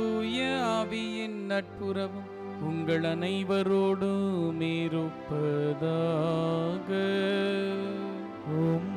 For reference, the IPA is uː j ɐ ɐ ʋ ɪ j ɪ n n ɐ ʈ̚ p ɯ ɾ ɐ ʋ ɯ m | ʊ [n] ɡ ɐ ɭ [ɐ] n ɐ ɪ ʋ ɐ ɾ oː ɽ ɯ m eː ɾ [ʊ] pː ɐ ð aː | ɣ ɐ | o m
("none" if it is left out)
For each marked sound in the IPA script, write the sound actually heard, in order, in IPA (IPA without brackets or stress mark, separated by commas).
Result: ŋ, ɐ, ɯ